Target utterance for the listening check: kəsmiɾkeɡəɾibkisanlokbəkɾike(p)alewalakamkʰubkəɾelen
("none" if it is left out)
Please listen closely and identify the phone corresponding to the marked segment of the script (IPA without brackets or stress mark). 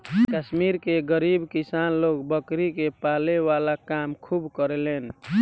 p